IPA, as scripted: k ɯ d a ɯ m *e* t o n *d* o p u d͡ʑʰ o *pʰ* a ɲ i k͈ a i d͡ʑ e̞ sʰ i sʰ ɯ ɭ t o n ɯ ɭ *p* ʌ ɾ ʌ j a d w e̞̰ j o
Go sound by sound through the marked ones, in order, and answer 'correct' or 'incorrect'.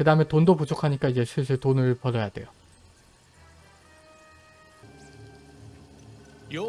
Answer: correct, correct, incorrect, correct

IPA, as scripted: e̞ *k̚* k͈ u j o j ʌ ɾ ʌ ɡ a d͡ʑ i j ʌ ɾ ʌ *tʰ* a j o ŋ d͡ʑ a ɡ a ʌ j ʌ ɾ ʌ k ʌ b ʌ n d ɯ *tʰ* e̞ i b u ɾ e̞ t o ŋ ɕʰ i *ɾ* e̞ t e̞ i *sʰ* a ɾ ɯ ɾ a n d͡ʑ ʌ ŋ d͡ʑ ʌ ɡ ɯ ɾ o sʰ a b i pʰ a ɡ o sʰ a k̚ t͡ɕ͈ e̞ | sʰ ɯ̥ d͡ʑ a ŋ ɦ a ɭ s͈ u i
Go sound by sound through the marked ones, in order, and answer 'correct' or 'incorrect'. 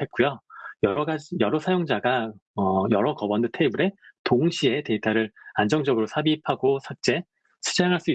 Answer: incorrect, incorrect, correct, incorrect, incorrect

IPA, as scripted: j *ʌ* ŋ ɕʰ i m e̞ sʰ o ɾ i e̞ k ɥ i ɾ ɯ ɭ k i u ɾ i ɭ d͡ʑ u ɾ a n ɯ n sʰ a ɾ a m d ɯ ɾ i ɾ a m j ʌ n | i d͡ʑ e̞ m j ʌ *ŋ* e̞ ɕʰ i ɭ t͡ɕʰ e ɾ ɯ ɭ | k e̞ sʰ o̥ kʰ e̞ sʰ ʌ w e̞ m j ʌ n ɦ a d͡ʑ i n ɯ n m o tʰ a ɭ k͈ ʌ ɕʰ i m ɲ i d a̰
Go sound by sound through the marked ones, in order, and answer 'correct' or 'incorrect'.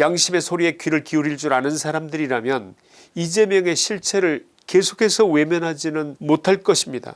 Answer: incorrect, correct

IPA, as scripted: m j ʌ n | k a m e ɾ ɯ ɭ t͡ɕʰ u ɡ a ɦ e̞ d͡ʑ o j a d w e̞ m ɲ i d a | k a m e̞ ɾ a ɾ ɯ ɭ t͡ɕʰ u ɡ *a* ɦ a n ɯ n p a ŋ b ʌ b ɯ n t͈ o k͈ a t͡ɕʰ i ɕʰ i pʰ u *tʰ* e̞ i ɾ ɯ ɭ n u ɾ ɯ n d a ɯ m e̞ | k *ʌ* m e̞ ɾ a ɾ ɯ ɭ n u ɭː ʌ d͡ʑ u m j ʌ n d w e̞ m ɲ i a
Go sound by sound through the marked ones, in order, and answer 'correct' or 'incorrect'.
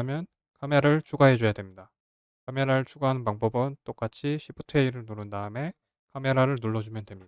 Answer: correct, correct, incorrect

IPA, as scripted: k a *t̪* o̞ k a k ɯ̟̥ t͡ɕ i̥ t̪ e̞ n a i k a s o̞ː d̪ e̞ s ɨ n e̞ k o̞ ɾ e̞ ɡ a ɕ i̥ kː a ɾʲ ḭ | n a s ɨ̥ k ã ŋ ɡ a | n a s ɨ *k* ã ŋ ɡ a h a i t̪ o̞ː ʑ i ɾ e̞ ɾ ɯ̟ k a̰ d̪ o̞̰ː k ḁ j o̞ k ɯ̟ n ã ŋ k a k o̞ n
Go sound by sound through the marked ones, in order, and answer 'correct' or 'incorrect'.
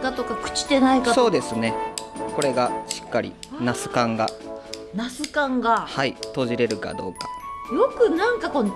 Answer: correct, correct

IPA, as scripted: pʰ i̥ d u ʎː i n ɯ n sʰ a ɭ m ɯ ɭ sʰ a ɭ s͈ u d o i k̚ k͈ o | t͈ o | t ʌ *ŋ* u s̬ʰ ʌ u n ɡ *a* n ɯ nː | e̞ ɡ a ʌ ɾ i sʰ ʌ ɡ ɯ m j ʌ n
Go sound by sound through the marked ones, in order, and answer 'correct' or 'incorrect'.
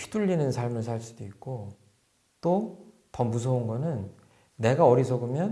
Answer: incorrect, incorrect

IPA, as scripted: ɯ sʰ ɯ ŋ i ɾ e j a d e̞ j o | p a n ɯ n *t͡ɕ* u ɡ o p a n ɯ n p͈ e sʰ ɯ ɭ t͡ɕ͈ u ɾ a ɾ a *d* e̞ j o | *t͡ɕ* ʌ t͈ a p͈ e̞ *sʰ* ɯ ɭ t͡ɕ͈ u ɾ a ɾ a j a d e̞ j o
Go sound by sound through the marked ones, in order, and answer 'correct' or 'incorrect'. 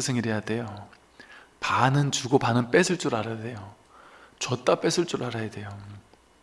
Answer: correct, correct, correct, correct

